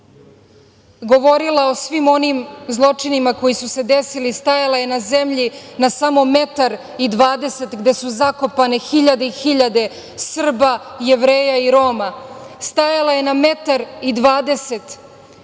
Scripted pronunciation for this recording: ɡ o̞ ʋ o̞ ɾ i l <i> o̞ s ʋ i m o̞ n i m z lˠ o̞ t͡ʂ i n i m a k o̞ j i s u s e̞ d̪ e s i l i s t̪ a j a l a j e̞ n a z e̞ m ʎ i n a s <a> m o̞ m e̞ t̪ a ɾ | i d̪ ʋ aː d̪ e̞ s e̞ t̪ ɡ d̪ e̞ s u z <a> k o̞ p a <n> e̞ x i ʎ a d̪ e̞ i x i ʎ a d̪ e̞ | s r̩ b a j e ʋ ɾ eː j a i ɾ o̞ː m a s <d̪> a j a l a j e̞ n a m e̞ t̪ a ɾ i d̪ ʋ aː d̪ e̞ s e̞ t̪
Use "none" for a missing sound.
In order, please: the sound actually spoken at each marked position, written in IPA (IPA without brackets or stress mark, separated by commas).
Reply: a, a, a, n, t̪